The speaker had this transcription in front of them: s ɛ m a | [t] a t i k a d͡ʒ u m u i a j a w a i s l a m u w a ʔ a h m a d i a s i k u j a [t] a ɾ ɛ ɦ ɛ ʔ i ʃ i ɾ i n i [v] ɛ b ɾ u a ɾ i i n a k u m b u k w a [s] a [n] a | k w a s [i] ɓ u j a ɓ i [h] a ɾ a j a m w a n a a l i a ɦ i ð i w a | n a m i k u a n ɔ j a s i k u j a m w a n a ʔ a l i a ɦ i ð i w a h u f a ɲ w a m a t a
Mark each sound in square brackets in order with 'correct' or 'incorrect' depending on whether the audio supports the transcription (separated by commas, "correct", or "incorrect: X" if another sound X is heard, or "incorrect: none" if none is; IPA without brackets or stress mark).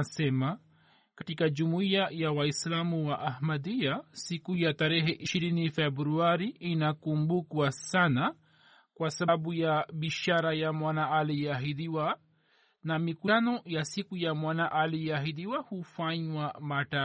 incorrect: k, correct, incorrect: f, correct, correct, incorrect: a, incorrect: ʃ